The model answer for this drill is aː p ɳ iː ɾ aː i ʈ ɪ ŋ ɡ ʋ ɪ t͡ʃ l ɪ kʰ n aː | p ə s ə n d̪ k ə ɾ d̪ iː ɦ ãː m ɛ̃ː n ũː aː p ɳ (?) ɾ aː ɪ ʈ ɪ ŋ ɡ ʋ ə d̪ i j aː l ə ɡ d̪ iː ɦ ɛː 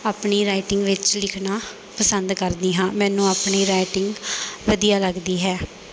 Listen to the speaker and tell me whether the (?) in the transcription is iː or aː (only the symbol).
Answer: iː